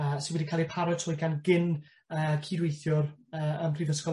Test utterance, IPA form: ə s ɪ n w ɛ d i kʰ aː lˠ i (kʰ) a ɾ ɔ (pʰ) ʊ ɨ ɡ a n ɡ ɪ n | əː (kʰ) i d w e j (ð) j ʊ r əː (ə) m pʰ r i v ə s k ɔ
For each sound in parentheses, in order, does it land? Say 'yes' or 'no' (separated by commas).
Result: no, no, yes, no, yes